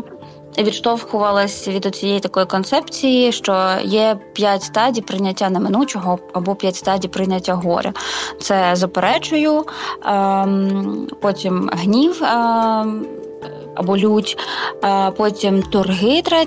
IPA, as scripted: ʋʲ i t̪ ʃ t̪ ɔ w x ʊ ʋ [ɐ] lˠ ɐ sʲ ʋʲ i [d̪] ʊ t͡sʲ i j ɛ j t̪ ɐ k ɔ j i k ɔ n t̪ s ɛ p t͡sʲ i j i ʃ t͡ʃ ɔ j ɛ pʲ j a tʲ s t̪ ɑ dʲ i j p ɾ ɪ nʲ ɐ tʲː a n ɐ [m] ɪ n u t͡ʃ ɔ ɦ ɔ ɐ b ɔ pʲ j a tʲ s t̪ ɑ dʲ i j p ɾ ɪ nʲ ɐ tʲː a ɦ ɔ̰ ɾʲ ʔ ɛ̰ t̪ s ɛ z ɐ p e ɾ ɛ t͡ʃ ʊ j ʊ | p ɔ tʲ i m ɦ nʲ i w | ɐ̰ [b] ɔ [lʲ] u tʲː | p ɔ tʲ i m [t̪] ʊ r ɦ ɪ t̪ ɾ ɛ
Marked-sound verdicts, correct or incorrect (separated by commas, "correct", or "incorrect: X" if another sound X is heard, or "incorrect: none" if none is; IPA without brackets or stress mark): correct, correct, correct, correct, correct, correct